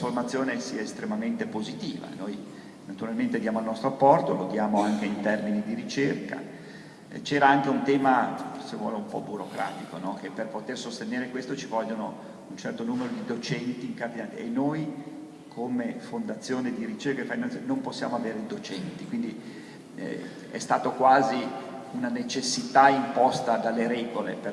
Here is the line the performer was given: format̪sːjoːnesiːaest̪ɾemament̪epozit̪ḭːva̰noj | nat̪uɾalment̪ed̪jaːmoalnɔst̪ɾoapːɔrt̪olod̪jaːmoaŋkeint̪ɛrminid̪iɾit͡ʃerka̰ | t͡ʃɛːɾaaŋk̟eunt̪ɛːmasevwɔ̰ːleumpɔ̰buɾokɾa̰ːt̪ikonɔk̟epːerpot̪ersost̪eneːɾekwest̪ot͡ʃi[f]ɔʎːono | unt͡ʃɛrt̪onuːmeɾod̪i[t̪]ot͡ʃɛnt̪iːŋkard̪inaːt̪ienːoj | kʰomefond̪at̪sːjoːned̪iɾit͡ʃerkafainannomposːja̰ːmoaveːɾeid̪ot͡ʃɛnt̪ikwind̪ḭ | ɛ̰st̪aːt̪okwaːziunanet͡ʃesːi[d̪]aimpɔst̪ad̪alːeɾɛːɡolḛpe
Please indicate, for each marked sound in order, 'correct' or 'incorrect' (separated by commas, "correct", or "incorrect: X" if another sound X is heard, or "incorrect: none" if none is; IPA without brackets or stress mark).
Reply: incorrect: v, incorrect: d̪, incorrect: t̪